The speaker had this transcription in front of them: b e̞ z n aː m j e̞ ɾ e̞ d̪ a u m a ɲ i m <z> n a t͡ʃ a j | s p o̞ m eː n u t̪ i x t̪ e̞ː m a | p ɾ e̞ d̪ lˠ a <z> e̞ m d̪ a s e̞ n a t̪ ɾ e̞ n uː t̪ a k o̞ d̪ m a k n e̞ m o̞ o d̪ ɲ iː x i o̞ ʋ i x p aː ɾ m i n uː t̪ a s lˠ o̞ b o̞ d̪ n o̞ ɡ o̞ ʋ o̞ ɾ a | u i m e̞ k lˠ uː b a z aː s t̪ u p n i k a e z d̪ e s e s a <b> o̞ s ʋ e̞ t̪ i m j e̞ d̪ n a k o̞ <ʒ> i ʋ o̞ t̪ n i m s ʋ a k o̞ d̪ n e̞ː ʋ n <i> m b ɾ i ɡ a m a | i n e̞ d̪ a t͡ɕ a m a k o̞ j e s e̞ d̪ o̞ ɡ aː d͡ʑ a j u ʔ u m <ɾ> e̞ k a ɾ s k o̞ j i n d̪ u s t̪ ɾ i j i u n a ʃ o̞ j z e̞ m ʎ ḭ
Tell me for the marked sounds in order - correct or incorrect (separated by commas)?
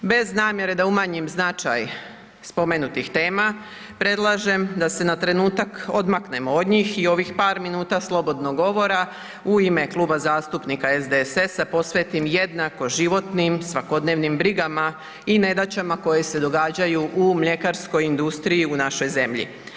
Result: correct, incorrect, incorrect, correct, correct, incorrect